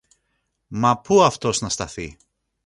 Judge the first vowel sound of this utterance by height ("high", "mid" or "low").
low